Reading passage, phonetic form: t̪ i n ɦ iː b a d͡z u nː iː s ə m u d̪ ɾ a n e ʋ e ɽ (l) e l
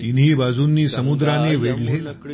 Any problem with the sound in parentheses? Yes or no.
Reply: no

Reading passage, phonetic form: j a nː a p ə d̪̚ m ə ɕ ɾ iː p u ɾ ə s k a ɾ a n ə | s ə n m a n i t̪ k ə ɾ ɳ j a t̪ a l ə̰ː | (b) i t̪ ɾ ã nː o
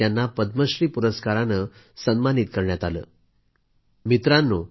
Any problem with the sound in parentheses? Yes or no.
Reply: yes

